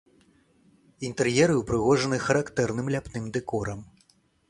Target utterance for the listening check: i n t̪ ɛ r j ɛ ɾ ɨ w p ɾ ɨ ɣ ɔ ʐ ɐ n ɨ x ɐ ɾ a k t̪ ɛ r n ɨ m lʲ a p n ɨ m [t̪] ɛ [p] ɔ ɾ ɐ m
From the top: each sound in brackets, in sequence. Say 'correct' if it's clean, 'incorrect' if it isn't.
incorrect: d̪, incorrect: k

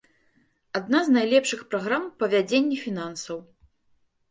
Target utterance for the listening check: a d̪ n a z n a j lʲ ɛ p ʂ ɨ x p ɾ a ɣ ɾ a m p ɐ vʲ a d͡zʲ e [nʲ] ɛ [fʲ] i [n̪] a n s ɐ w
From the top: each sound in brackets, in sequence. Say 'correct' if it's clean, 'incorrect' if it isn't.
incorrect: nʲː, correct, correct

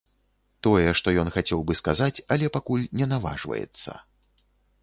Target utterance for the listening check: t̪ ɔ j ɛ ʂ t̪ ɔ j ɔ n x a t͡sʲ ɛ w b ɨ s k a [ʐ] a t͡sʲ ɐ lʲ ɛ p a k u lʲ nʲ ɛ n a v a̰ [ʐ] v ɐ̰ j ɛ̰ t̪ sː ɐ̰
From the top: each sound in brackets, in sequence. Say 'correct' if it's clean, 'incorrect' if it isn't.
incorrect: z, correct

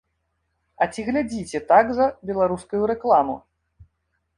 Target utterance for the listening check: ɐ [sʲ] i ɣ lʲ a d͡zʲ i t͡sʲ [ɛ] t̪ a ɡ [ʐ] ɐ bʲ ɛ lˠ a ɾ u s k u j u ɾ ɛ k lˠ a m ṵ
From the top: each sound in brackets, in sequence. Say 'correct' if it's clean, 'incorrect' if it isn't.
incorrect: t͡sʲ, correct, incorrect: z

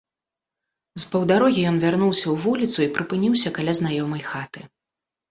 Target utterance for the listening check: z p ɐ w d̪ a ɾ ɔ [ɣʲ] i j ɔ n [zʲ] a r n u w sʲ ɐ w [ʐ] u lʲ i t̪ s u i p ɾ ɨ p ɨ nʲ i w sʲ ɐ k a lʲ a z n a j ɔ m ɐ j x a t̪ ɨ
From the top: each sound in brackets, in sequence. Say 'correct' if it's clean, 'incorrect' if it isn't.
correct, incorrect: vʲ, incorrect: v

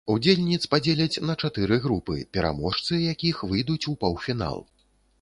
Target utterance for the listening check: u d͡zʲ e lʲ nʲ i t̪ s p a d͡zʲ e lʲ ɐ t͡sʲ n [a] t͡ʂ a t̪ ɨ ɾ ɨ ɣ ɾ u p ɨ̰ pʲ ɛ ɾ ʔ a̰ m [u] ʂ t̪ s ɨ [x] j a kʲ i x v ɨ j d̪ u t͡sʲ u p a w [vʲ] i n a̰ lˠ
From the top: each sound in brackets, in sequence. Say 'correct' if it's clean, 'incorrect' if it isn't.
incorrect: ɐ, incorrect: ɔ, incorrect: none, incorrect: fʲ

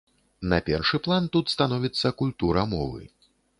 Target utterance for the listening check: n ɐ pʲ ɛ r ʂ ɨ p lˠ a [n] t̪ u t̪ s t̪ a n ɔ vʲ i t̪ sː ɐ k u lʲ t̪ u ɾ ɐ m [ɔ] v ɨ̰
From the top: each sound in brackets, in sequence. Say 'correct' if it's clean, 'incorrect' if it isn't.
correct, correct

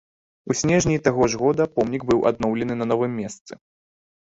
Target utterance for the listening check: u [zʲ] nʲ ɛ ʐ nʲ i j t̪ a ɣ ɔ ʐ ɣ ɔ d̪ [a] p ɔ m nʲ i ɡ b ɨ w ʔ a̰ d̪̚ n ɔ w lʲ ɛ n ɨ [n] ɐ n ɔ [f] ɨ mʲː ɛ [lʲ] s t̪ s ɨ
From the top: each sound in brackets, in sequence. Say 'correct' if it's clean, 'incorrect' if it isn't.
incorrect: sʲ, incorrect: ɐ, correct, incorrect: v, incorrect: none

